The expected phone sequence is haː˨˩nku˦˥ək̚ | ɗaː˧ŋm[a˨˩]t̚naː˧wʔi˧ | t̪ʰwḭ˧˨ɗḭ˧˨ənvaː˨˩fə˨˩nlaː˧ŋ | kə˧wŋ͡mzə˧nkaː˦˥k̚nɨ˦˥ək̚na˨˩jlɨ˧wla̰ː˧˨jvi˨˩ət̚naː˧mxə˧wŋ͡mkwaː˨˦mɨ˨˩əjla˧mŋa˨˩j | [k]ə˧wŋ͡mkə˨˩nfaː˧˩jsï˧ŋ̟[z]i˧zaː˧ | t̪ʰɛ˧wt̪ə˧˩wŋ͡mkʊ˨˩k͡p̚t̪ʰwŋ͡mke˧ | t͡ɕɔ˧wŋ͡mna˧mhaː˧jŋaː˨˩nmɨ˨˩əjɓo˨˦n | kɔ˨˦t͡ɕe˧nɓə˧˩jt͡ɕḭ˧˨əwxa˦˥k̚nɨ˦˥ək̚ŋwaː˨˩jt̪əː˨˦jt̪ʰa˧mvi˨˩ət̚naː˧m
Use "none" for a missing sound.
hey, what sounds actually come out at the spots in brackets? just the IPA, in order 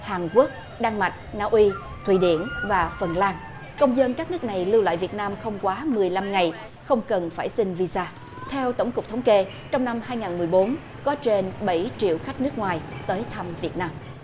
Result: a˨˩, x, v

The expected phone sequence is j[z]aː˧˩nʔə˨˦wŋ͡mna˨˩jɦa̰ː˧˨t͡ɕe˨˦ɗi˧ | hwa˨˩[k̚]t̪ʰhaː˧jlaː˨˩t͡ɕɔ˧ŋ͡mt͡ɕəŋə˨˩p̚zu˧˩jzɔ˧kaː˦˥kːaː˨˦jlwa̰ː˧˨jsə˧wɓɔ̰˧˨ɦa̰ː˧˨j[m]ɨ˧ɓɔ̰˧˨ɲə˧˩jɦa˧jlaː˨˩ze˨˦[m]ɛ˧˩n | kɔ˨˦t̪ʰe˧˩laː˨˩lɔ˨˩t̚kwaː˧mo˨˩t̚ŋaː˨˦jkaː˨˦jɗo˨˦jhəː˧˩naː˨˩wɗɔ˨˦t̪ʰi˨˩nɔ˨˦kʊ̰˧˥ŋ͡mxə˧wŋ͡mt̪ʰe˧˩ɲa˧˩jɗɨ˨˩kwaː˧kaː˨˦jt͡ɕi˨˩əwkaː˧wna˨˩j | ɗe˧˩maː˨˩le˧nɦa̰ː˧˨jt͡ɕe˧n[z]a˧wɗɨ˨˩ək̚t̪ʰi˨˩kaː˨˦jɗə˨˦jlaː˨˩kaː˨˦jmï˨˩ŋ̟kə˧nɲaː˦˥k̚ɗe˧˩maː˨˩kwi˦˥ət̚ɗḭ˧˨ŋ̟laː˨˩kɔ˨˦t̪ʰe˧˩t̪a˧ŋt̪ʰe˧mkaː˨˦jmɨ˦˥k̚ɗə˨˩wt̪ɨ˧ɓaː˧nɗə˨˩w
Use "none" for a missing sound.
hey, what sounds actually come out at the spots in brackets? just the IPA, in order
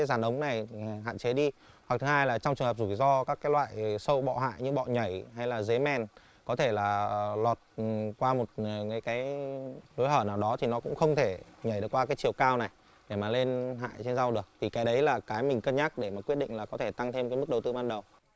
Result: z, k̚, ɲ, m, z

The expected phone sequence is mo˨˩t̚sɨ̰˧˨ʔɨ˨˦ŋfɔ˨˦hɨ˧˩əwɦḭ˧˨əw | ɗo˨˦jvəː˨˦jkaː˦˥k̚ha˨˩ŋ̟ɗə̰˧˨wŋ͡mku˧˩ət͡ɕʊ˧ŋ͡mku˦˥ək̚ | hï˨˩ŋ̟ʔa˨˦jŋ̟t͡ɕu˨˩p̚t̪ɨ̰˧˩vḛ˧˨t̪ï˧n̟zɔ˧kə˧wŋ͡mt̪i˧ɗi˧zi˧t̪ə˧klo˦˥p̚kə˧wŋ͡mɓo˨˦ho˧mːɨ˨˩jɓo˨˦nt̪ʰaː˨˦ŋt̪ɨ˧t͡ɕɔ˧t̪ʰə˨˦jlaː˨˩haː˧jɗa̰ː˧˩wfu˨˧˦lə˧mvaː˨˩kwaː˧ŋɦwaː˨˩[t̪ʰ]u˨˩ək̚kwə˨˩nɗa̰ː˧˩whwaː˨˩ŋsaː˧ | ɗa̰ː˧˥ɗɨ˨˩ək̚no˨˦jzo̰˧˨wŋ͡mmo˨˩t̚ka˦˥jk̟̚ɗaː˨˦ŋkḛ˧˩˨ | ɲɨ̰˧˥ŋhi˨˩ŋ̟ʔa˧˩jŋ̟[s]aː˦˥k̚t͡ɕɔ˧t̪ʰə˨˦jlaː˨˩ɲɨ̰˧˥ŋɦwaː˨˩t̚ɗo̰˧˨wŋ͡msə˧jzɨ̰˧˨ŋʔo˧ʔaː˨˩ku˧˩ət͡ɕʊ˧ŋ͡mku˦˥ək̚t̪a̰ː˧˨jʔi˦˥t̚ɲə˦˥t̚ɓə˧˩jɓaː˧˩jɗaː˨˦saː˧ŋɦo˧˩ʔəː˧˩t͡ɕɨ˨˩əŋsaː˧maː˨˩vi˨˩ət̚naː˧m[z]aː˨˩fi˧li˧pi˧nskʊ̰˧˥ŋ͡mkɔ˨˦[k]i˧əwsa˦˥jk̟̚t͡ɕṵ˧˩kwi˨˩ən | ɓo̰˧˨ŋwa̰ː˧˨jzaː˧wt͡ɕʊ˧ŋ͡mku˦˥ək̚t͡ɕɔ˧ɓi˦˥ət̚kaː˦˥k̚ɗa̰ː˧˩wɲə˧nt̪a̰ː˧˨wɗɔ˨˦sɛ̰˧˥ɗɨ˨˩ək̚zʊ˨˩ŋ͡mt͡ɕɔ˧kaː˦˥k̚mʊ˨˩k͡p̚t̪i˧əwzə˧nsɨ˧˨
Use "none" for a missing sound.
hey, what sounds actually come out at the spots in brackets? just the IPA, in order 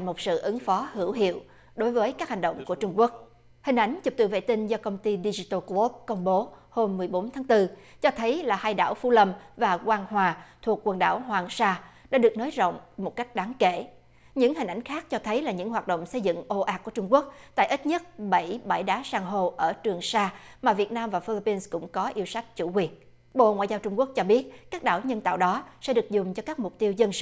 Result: t̪ʰ, x, v, ʔ

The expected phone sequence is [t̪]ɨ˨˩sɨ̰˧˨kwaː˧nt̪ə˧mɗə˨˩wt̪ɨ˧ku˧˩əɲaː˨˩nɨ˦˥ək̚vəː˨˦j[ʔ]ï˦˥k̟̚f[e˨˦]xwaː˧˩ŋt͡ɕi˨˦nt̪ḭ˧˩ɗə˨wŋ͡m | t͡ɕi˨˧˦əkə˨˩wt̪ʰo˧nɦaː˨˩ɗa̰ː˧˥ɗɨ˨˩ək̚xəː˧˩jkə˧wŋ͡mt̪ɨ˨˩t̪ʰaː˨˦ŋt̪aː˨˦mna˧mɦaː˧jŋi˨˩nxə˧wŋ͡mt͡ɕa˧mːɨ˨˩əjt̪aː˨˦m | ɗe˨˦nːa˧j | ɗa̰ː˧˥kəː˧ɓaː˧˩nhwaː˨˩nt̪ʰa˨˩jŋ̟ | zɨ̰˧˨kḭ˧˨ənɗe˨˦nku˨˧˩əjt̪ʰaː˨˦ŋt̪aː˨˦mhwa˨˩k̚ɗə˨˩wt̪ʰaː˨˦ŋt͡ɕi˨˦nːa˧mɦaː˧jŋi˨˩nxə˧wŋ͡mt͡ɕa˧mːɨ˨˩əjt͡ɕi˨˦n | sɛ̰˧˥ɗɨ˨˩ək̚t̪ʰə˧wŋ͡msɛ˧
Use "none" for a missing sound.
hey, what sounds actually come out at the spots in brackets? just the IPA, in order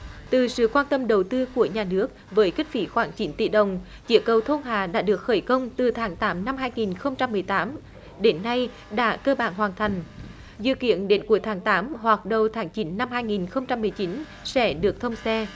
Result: t̪, k, i˨˦

